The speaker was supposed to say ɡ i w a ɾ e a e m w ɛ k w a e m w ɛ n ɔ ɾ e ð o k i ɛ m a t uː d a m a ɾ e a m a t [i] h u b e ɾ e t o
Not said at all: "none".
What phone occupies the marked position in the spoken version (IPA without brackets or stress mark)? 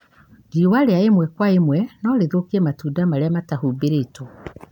a